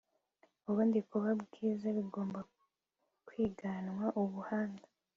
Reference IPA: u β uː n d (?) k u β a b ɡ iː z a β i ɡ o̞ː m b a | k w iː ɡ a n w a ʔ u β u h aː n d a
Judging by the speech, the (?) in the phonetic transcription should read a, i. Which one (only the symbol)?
i